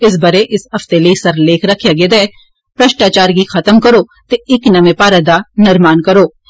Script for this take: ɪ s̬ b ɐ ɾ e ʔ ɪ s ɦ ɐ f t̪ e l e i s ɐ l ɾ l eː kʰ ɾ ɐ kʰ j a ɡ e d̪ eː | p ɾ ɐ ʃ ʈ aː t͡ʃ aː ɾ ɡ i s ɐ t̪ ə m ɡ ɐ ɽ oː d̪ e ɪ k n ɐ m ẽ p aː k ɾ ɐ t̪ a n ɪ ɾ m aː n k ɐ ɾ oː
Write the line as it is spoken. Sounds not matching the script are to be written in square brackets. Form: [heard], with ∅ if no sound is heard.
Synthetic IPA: ɪ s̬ b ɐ ɾ e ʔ ɪ s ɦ ɐ f t̪ e l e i s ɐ [∅] ɾ l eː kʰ ɾ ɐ kʰ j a ɡ e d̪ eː | p ɾ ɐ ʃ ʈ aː t͡ʃ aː ɾ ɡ i [x] ɐ t̪ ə m [k] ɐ [ɾ] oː [t̪] e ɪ k n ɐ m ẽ p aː [∅] ɾ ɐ [d̪] a n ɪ ɾ m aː n k ɐ ɾ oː